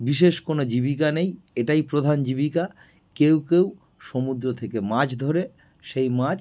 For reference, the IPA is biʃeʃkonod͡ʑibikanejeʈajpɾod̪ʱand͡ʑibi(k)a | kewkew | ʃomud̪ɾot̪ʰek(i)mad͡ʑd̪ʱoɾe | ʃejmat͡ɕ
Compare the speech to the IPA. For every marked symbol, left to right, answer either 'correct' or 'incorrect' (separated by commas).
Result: correct, incorrect